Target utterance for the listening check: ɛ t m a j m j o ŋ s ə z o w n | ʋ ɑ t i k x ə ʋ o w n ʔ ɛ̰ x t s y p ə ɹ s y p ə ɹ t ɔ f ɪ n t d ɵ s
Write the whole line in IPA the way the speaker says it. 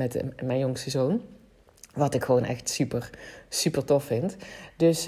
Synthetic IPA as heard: ɛ t m ɛ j n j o ŋ s ə z o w n | ʋ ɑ t ɪ k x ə ʋ o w n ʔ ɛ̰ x t s y p ə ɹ s y p ə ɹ t ɔ f ɪ n t d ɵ s